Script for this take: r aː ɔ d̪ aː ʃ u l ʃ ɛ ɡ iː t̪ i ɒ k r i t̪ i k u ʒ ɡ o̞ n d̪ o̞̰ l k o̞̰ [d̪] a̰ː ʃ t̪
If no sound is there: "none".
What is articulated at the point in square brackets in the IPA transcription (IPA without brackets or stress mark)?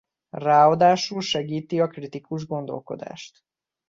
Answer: d̪